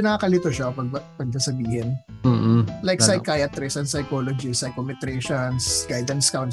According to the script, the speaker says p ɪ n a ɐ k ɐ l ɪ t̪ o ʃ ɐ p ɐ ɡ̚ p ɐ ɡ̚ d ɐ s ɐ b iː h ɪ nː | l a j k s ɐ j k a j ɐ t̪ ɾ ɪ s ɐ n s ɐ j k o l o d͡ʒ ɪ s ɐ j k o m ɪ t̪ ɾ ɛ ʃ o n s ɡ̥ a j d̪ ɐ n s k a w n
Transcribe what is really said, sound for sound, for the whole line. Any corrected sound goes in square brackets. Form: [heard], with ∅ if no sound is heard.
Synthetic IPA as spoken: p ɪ n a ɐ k ɐ l ɪ t̪ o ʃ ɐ p ɐ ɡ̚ p ɐ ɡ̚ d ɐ s ɐ b iː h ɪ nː | l a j k s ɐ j k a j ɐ t̪ ɾ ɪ s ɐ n s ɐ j k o l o d͡ʒ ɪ s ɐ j k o m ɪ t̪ ɾ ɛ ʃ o n s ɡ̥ a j d̪ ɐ n s k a w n